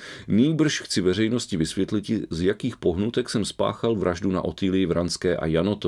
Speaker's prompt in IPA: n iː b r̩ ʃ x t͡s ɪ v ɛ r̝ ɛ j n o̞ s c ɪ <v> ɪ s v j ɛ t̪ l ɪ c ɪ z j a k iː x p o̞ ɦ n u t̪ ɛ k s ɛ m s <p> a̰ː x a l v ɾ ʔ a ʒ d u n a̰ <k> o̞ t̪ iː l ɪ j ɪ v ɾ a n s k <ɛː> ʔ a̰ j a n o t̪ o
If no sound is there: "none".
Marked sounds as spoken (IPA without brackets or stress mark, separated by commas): v, p, ʔ, ɛː